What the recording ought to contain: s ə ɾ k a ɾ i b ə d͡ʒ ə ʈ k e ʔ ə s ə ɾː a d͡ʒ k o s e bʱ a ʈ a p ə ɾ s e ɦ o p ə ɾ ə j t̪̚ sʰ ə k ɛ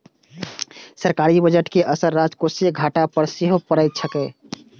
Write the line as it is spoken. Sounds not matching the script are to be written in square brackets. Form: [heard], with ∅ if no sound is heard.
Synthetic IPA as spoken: s ə ɾ k a ɾ i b ə d͡ʒ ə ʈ k e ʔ ə s ə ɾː a d͡ʒ k o s e [ɡʱ] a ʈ a p ə ɾ s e ɦ o p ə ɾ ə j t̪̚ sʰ ə k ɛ